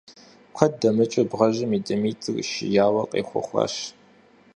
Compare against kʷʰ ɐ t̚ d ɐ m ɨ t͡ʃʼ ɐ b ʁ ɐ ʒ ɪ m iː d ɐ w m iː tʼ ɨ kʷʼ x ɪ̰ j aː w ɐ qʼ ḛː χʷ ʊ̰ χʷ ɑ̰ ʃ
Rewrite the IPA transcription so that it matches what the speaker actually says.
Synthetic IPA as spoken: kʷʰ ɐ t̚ d ɐ m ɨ t͡ʃʼ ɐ b ʁ ɐ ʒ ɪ m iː d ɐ m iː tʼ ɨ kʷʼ ʃ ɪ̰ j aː w ɐ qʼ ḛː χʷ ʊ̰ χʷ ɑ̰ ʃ

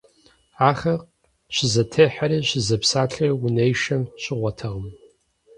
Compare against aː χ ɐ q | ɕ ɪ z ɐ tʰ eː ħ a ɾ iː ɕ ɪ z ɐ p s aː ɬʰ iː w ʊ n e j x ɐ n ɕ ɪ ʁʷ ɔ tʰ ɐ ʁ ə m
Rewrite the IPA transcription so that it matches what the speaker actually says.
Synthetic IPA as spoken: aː χ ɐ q | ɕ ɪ z ɐ tʰ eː ħ a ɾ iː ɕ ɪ z ɐ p s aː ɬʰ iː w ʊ n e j ʃ ɐ m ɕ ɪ ʁʷ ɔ tʰ ɐ ʁ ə m

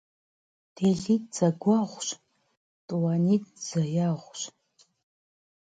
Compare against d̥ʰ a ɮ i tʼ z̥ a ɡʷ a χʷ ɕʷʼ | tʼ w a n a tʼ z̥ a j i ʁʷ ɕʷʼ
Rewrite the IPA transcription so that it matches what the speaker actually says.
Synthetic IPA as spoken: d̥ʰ e ɮ i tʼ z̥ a ɡʷ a ʁʷ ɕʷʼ | tʼ w a n i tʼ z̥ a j a ʁʷ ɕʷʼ

